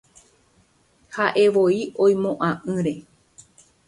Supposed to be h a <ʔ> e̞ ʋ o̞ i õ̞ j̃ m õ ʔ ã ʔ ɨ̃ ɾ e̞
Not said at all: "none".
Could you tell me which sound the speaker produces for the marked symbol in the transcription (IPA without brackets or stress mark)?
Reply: ʔ